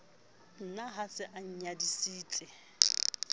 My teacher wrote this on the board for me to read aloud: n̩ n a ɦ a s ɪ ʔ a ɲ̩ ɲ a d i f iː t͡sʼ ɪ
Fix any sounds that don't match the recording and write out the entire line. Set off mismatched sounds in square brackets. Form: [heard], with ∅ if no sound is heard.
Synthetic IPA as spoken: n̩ n a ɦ a s ɪ ʔ a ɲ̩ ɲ a d i [s] iː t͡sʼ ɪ